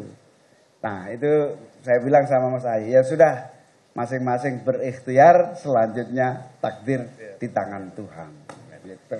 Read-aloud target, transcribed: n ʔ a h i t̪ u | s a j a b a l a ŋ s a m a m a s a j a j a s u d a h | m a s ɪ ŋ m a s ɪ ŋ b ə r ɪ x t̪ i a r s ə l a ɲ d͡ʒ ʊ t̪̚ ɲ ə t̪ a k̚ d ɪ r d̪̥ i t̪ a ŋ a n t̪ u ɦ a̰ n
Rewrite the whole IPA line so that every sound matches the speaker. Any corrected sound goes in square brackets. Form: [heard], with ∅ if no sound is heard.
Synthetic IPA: n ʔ a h i t̪ u | s a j a b [i] l a ŋ s a m a m a s a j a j a s u d a h | m a s ɪ ŋ m a s ɪ ŋ b ə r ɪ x t̪ i a r s ə l a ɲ d͡ʒ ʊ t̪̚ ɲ [a] t̪ a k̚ d ɪ r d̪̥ i t̪ a ŋ a n t̪ u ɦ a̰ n